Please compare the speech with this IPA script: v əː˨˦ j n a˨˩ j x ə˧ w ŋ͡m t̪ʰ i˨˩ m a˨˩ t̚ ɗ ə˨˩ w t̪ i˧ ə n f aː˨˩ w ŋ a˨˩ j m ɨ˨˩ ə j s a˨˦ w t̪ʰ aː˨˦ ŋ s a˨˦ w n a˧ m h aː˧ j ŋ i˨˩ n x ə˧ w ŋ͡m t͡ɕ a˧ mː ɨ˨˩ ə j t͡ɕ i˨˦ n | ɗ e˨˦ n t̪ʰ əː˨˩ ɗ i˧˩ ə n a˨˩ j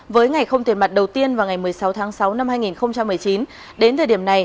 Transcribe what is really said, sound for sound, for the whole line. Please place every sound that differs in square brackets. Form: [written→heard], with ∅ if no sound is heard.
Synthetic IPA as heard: v əː˨˦ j [n→ŋ] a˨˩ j x ə˧ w ŋ͡m [t̪ʰ→t̪] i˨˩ m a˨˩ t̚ ɗ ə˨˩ w t̪ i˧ ə n [f→v] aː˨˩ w ŋ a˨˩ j m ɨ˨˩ ə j s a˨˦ w t̪ʰ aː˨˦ ŋ s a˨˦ w n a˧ m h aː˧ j ŋ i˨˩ n x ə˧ w ŋ͡m t͡ɕ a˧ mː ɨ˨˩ ə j t͡ɕ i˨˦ n | ɗ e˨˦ n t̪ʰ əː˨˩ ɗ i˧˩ ə n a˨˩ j